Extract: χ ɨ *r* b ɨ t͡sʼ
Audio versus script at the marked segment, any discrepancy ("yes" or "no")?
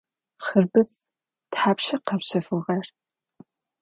no